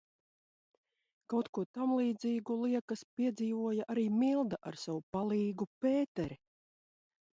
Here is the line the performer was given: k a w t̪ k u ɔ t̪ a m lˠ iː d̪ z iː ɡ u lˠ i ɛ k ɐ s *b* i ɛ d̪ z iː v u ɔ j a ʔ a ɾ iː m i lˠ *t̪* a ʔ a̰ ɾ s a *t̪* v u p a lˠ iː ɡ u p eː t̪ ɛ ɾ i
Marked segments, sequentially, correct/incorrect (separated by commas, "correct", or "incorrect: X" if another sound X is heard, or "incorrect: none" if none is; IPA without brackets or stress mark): incorrect: p, incorrect: d̪, incorrect: none